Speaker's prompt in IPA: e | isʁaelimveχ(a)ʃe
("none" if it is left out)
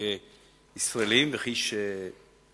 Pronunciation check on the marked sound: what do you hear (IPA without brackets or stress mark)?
i